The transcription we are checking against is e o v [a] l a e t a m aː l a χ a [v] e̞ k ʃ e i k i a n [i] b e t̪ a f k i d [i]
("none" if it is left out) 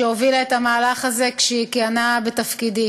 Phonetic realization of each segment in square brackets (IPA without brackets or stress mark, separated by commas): i, z, a, i